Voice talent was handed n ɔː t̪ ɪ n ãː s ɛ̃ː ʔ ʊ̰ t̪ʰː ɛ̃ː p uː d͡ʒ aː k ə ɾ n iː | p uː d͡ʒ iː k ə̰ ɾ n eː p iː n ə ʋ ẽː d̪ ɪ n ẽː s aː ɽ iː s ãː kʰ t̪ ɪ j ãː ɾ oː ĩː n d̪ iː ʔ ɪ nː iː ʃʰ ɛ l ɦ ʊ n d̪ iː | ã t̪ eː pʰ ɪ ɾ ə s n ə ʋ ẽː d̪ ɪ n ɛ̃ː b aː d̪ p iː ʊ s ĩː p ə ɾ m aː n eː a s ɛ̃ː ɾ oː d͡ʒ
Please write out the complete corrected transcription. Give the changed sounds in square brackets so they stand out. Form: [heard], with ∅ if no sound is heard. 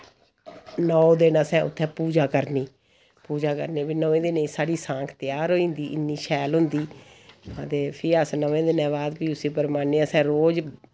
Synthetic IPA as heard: n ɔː [d̪] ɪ n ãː s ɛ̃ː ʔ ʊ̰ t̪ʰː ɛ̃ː p uː d͡ʒ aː k ə ɾ n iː | p uː d͡ʒ [aː] k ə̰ ɾ n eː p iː n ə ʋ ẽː d̪ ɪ n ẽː s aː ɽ iː s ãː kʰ t̪ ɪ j [aː] ɾ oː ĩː n d̪ iː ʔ ɪ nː iː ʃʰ [ɛː] l ɦ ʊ n d̪ iː | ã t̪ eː pʰ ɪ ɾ ə s n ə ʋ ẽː d̪ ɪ n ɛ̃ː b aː d̪ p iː ʊ s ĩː p ə ɾ m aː n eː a s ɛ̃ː ɾ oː d͡ʒ